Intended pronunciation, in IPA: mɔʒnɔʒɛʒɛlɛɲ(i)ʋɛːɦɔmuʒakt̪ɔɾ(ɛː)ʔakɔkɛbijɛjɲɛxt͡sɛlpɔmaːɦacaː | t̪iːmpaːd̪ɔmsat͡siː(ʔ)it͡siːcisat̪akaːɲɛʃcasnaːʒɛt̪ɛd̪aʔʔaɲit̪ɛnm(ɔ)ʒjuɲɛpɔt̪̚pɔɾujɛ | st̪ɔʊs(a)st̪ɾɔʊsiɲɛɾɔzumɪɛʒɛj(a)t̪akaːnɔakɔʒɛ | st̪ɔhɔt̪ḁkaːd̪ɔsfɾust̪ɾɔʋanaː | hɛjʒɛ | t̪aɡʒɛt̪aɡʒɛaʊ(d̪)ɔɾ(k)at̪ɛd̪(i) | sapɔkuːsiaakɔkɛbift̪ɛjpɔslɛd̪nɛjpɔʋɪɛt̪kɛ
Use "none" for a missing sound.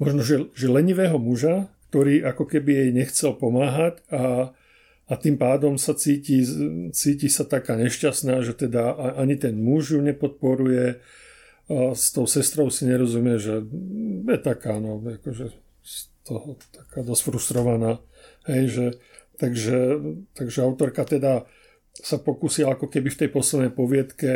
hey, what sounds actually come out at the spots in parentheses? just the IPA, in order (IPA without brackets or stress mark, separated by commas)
i, iː, c, u, ɛ, ɛ, t̪, k, a